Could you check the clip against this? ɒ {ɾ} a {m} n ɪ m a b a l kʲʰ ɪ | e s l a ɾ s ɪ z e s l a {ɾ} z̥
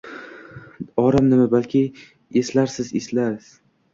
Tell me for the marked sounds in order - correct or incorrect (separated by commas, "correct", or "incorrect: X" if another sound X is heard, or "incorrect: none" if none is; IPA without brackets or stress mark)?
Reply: correct, correct, correct